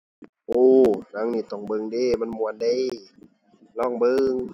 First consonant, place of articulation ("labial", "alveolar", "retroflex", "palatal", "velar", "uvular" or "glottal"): glottal